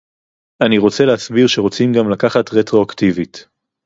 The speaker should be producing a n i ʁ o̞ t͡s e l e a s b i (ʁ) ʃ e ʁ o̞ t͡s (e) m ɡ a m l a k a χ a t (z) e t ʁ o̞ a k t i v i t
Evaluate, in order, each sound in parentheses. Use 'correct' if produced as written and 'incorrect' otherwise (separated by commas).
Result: correct, incorrect, incorrect